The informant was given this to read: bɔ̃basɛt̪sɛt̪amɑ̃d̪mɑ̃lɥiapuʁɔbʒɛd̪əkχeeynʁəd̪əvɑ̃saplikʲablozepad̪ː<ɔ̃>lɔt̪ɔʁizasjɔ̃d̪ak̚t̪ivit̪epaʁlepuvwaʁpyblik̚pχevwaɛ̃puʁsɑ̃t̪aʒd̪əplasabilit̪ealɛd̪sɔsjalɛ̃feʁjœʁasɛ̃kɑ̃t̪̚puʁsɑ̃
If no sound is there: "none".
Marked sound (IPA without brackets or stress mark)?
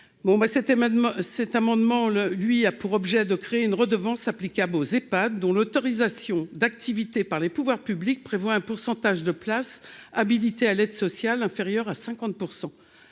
ɔ̃